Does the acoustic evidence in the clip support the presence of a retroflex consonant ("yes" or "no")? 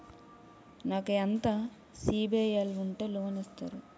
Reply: yes